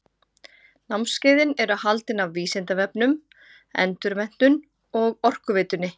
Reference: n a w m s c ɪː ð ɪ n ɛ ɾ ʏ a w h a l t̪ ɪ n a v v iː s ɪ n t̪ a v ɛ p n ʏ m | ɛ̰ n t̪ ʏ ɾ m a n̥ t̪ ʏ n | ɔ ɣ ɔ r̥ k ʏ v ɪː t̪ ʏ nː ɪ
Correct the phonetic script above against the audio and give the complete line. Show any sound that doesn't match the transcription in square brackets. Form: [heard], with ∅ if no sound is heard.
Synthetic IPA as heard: n a w m s c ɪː ð ɪ n ɛ ɾ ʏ a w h a l t̪ ɪ n a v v iː s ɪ n t̪ a v ɛ p n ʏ m | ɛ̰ n t̪ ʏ ɾ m [ɛ] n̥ t̪ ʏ n | ɔ ɣ ɔ r̥ k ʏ v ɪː t̪ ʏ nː ɪ